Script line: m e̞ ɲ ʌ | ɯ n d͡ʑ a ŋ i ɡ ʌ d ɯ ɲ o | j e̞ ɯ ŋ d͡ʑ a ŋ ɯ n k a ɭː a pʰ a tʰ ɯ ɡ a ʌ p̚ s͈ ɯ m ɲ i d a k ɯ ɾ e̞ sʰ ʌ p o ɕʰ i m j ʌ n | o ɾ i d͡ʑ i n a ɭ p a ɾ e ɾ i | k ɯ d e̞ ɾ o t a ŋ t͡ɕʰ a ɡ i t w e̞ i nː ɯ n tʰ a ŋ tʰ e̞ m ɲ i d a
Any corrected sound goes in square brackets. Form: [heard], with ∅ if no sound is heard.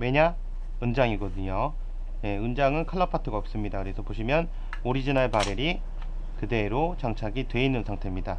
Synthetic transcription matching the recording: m e̞ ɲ [a] | ɯ n d͡ʑ a ŋ i ɡ ʌ d ɯ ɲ o | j e̞ ɯ [n] d͡ʑ a ŋ ɯ n [kʰ] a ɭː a pʰ a tʰ ɯ ɡ a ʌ p̚ s͈ ɯ m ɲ i d a k ɯ ɾ e̞ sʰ ʌ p o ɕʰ i m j ʌ n | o ɾ i d͡ʑ i n a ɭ p a ɾ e ɾ i | k ɯ d e̞ ɾ o [t͡ɕ] a ŋ t͡ɕʰ a ɡ i t w e̞ i nː ɯ n [sʰ] a ŋ tʰ e̞ m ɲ i d a